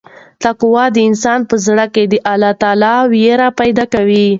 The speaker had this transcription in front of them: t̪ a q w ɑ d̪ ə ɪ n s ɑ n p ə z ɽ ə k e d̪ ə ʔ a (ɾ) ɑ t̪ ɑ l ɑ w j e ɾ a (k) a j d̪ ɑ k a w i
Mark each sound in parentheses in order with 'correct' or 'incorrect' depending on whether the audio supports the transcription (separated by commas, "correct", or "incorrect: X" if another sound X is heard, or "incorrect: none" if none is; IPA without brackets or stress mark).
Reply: incorrect: l, incorrect: p